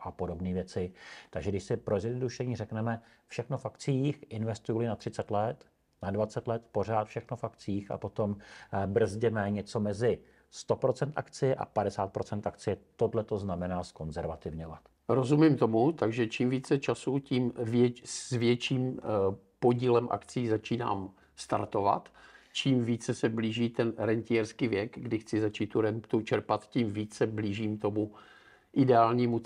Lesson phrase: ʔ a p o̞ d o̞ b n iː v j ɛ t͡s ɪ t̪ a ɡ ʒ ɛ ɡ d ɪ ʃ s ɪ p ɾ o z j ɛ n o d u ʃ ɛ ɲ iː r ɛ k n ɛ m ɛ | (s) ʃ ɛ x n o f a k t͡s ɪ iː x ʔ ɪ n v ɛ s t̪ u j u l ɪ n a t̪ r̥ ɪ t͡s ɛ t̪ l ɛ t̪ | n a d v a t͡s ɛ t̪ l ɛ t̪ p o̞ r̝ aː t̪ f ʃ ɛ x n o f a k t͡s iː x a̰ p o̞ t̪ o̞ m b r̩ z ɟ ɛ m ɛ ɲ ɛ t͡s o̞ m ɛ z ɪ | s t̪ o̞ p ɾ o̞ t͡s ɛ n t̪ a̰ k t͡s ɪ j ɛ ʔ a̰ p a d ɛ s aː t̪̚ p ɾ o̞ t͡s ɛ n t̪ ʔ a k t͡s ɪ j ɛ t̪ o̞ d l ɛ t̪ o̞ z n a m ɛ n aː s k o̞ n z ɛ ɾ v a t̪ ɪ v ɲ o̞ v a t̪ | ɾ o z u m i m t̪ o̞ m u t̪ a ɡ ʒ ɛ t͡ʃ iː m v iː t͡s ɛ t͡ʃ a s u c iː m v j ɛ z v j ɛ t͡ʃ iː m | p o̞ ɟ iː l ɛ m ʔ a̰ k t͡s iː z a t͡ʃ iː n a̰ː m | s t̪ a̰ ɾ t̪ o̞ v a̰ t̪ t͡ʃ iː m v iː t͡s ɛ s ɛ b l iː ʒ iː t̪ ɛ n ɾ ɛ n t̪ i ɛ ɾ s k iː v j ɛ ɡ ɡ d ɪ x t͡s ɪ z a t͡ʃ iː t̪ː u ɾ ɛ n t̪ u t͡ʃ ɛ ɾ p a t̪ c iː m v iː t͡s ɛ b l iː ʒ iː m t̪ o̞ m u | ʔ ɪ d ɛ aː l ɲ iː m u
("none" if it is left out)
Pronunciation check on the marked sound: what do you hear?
f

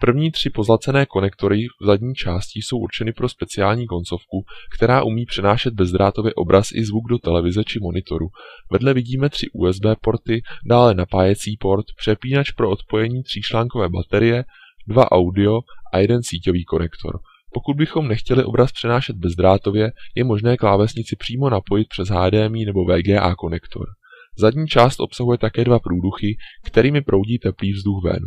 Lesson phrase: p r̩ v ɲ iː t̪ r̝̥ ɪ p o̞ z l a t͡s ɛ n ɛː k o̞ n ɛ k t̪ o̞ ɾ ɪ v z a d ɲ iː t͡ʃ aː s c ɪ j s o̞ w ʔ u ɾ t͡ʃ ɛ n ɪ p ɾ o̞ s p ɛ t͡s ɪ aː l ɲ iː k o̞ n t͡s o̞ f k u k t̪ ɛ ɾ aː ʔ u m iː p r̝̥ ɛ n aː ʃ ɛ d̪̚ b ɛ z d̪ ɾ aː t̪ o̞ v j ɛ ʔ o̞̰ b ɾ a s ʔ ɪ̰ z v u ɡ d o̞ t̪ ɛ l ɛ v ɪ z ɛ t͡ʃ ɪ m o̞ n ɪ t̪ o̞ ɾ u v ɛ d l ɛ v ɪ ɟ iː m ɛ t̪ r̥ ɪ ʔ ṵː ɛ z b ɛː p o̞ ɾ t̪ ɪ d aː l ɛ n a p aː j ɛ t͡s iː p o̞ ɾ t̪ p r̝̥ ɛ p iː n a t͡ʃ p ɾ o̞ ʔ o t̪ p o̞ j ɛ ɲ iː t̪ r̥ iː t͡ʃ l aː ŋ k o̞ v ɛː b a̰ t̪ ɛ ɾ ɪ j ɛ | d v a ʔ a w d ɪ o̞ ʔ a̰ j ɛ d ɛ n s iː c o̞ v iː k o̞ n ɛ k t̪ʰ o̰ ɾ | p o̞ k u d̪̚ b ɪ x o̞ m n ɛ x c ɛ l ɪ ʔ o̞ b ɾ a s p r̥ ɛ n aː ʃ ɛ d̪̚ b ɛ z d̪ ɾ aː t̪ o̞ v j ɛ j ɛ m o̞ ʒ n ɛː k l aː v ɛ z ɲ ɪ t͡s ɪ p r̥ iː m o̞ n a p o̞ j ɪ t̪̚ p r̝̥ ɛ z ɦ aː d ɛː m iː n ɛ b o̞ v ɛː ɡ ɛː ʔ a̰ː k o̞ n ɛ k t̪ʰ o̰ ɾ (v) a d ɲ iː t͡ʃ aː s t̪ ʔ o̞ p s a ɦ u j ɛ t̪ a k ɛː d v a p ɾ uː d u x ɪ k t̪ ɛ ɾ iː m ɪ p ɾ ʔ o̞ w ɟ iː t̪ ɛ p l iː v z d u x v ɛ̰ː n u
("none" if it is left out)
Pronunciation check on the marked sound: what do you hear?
z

